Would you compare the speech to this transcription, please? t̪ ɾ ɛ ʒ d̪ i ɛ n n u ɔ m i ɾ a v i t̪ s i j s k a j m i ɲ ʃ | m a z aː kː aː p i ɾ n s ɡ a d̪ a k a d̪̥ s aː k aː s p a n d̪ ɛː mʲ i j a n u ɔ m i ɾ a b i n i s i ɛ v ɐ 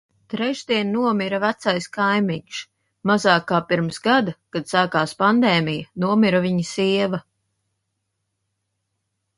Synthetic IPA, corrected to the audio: t̪ ɾ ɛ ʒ d̪ i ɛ n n u ɔ m i ɾ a v æ t̪ s a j s k a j m i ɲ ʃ | m a z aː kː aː p i ɾ m s ɡ a d̪ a k a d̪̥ s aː k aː s p a n d̪ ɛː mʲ i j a n u ɔ m i ɾ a v i ɲ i s i ɛ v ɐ